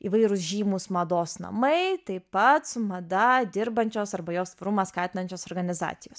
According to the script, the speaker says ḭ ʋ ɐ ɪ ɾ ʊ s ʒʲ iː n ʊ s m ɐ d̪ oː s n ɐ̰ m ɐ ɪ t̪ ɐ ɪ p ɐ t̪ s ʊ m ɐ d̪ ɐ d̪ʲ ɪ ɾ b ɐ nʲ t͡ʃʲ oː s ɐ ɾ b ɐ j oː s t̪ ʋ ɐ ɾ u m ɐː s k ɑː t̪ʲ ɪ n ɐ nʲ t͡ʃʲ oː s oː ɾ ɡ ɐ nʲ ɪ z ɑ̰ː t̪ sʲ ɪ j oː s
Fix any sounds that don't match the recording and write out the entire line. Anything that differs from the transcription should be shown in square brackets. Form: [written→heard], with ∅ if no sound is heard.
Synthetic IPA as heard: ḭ ʋ ɐ ɪ ɾ ʊ s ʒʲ iː [n→m] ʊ s m ɐ d̪ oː s n ɐ̰ m ɐ ɪ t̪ ɐ ɪ p ɐ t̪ s ʊ m ɐ d̪ ɐ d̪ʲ ɪ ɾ b ɐ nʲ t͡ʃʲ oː s ɐ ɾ b ɐ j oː s t̪ ʋ ɐ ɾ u m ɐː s k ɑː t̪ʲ ɪ n ɐ nʲ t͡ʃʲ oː s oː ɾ ɡ ɐ nʲ ɪ z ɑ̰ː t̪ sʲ ɪ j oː s

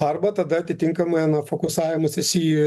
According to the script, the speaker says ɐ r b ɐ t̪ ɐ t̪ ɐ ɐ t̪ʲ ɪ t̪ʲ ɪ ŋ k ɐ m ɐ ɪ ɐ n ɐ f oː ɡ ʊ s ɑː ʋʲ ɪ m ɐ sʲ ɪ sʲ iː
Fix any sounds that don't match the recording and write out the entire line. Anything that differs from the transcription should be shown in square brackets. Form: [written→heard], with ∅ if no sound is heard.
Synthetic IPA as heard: ɐ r b ɐ t̪ ɐ [t̪→d̪] ɐ ɐ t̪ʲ ɪ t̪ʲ ɪ ŋ k ɐ m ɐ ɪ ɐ n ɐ f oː [ɡ→k] ʊ s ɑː ʋʲ ɪ m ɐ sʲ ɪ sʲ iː

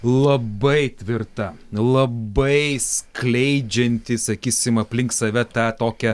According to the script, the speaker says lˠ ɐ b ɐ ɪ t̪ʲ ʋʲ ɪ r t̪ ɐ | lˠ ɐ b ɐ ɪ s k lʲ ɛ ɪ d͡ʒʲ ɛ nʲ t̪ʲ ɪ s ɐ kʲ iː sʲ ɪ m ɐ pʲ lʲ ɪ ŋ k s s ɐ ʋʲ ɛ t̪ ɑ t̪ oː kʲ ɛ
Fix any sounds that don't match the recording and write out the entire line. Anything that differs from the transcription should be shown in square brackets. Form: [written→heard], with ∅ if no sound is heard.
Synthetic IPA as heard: lˠ ɐ b ɐ ɪ t̪ʲ ʋʲ ɪ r t̪ ɐ | lˠ ɐ b ɐ ɪ s k lʲ ɛ ɪ d͡ʒʲ ɛ nʲ t̪ʲ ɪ s ɐ kʲ iː sʲ ɪ m ɐ pʲ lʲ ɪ ŋ k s s ɐ ʋʲ ɛ t̪ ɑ t̪ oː kʲ ɛ

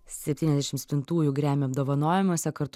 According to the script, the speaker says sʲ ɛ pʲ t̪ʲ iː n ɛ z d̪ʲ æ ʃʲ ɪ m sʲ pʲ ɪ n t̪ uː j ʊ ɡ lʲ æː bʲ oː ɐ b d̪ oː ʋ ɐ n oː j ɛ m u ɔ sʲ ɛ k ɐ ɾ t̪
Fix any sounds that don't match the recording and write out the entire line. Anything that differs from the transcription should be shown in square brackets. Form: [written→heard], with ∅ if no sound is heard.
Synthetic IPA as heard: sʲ ɛ pʲ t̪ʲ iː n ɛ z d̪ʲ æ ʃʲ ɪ m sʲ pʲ ɪ n t̪ uː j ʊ ɡ [lʲ→ɾʲ] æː [bʲ→mʲ] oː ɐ b d̪ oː ʋ ɐ n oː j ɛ m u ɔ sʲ ɛ k ɐ ɾ t̪

